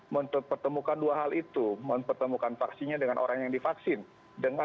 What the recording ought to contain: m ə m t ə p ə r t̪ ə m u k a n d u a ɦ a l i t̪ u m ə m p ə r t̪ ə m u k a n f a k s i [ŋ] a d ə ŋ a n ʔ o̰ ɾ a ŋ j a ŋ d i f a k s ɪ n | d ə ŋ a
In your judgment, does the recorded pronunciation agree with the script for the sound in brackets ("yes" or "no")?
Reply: no